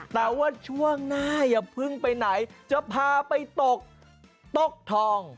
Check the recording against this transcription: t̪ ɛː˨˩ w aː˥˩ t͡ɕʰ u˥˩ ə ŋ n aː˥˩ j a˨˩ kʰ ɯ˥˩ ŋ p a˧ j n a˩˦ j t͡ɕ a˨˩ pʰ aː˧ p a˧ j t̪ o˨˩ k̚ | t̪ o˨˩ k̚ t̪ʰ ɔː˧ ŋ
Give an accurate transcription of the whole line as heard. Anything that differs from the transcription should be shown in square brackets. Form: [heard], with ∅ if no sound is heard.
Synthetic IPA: t̪ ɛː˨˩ w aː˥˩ t͡ɕʰ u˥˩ ə ŋ n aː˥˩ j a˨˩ [pʰ] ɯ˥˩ ŋ p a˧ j n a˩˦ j t͡ɕ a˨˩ pʰ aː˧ p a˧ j t̪ o˨˩ k̚ | t̪ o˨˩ k̚ t̪ʰ ɔː˧ ŋ